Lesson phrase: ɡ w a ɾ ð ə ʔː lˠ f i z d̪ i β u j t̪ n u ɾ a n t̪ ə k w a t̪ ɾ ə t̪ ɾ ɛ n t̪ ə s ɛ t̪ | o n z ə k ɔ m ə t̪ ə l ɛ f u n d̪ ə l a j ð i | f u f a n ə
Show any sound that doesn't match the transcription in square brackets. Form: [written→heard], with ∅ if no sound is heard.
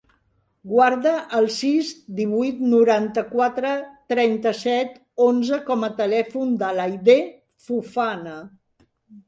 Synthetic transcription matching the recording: ɡ w a ɾ ð ə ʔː lˠ [f→s] i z d̪ i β u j t̪ n u ɾ a n t̪ ə k w a t̪ ɾ ə t̪ ɾ ɛ n t̪ ə s ɛ t̪ | o n z ə k ɔ m ə t̪ ə l ɛ f u n d̪ ə l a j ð [i→e] | f u f a n ə